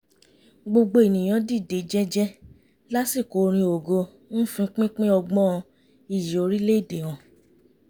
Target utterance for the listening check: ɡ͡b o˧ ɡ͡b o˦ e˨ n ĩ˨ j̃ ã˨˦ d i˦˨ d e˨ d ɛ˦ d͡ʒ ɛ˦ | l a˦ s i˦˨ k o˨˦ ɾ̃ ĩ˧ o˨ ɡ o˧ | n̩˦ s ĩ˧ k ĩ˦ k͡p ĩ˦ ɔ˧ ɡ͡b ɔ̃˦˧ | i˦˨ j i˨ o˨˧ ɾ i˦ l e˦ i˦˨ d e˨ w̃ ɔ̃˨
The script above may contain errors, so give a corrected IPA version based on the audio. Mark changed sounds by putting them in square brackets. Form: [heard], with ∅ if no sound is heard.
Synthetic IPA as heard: ɡ͡b o˧ ɡ͡b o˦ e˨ n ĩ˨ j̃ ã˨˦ d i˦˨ d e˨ [d͡ʒ] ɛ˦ d͡ʒ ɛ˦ | l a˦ s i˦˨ k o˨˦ ɾ̃ ĩ˧ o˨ ɡ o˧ | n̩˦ [f] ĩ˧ [k͡p] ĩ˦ k͡p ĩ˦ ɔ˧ ɡ͡b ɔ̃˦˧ | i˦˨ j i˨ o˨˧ ɾ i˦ l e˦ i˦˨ d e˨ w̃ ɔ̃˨